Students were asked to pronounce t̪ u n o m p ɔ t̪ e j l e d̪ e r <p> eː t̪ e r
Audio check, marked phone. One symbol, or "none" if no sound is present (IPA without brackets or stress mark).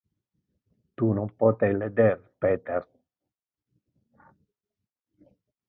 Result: p